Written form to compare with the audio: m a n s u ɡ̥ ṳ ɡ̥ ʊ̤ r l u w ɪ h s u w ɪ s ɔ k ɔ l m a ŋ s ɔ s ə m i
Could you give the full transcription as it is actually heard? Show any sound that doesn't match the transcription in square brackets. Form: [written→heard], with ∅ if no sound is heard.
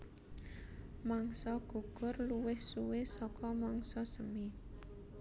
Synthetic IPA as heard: m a [n→ŋ] s [u→ɔ] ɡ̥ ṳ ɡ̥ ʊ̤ r l u w ɪ h s u w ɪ s ɔ k ɔ [l→∅] m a ŋ s ɔ s ə m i